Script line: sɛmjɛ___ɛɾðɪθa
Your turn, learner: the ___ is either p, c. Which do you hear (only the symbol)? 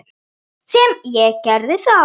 c